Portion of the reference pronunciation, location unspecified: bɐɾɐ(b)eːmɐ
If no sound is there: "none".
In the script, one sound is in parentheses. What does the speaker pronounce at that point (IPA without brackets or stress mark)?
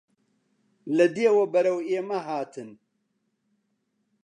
w